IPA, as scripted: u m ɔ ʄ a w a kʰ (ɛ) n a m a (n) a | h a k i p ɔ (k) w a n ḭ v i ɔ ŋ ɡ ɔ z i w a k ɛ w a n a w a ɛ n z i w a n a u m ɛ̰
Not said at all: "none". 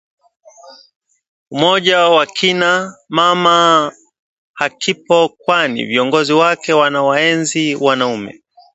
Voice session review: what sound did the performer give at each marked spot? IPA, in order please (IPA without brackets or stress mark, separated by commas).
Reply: i, m, k